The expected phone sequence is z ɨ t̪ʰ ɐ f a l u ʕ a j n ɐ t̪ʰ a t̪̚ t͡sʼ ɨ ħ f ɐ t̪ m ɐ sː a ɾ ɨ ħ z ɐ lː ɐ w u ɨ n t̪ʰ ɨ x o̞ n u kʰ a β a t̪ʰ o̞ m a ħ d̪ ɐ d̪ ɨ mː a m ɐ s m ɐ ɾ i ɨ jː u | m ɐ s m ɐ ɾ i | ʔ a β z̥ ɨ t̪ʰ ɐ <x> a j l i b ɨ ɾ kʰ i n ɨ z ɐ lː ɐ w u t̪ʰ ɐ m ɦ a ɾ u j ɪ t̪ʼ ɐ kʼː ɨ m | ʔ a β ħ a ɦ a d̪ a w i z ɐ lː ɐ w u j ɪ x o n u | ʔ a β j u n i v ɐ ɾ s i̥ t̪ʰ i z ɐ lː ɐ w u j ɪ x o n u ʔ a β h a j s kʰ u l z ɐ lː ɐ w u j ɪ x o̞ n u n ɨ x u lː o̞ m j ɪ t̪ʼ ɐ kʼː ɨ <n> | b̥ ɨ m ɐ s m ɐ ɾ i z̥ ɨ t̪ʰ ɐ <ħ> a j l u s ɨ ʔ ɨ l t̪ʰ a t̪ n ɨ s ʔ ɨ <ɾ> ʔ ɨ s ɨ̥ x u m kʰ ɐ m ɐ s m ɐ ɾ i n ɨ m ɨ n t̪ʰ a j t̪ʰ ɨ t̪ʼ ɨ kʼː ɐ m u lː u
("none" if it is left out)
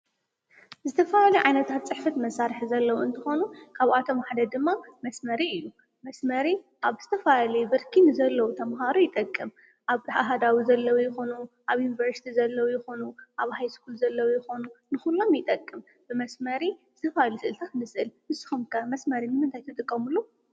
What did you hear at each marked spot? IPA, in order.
f, m, f, l

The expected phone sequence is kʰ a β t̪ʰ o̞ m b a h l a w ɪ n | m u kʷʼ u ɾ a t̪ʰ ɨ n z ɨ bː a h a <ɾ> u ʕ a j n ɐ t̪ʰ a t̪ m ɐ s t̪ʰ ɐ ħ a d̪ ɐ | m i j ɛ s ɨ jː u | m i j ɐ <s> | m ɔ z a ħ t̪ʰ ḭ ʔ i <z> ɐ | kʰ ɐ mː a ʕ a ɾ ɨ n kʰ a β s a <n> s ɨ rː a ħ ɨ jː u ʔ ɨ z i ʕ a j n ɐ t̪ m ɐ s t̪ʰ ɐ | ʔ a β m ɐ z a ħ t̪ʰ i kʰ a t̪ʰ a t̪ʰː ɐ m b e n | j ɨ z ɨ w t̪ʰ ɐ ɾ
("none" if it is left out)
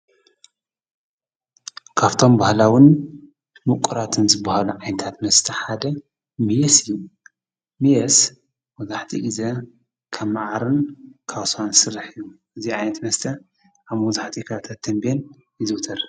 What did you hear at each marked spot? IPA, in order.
l, s, z, n

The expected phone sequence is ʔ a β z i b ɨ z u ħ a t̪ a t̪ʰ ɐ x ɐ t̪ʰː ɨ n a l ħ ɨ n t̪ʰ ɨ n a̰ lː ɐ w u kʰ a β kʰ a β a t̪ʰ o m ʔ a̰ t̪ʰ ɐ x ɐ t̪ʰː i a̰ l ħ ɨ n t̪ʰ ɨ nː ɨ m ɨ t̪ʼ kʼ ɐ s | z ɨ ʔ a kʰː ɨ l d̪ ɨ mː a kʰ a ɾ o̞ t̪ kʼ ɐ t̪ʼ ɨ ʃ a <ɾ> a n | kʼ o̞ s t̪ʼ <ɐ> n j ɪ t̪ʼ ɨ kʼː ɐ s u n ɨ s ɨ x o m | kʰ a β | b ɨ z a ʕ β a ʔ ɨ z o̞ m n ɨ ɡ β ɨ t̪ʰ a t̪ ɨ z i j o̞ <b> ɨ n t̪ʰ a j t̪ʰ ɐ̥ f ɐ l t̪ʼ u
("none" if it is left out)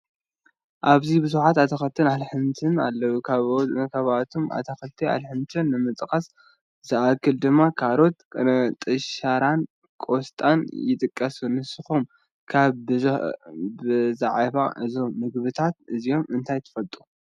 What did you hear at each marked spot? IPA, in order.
ɾ, a, m

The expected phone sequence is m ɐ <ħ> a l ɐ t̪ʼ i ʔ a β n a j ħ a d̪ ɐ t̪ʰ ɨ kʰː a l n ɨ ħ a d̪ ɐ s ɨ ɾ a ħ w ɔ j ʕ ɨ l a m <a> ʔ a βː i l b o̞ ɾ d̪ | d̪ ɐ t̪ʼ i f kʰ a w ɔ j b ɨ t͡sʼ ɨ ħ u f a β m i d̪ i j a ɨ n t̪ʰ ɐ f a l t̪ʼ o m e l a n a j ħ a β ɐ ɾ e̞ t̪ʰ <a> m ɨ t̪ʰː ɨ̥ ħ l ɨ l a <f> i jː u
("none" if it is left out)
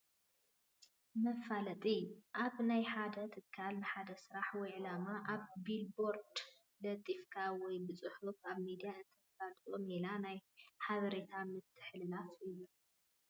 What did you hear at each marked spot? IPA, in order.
f, a, a, f

